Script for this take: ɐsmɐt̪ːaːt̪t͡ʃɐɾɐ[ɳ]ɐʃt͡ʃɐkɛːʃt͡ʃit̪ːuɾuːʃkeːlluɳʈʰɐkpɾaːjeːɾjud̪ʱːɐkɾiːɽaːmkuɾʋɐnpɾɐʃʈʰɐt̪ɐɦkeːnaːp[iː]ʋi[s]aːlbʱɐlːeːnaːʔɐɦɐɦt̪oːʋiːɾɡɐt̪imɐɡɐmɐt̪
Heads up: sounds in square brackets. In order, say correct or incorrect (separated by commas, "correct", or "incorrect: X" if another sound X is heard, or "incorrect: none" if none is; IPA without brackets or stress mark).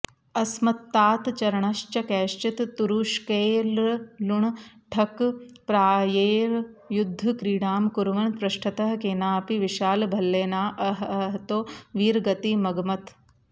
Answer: correct, incorrect: i, incorrect: ʃ